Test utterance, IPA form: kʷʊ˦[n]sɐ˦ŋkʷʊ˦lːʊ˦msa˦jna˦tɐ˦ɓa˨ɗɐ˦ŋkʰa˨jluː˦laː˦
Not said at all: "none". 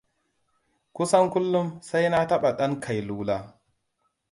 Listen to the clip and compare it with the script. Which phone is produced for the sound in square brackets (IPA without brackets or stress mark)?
none